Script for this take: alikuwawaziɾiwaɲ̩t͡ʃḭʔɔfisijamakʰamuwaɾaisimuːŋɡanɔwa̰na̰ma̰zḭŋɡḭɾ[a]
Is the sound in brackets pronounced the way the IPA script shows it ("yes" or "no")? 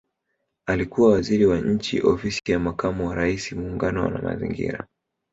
yes